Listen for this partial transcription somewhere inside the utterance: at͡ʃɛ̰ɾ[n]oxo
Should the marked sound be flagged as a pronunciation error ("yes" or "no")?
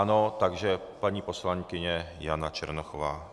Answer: no